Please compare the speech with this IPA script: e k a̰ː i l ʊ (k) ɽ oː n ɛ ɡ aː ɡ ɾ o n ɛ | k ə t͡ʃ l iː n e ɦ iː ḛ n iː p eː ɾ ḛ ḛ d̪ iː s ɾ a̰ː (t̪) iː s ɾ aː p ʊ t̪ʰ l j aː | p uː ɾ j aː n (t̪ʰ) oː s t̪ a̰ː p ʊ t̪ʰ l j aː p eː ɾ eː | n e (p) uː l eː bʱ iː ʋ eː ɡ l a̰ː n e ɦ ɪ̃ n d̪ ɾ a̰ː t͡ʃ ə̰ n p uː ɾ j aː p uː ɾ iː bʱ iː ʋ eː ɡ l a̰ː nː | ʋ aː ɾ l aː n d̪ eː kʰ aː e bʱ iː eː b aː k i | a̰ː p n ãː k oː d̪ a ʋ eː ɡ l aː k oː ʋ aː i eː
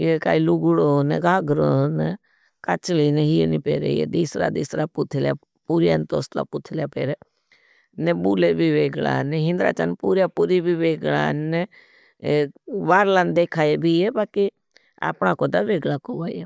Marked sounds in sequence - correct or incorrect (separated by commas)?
incorrect, incorrect, incorrect, incorrect